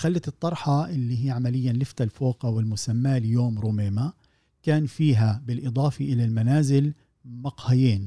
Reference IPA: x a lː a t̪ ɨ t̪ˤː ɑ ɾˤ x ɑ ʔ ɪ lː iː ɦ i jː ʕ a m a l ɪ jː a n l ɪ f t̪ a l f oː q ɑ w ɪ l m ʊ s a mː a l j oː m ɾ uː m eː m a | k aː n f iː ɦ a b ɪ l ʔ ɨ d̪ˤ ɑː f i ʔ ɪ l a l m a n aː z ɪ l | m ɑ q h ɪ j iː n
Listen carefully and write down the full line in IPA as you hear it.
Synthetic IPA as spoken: x a lː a t̪ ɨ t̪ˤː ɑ ɾˤ ħ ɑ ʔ ɪ lː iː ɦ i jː ʕ a m a l ɪ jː a n l ɪ f t̪ a l f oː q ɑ w ɪ l m ʊ s a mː a l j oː m ɾ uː m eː m a | k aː n f iː ɦ a b ɪ l ʔ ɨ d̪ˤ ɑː f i ʔ ɪ l a l m a n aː z ɪ l | m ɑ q h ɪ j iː n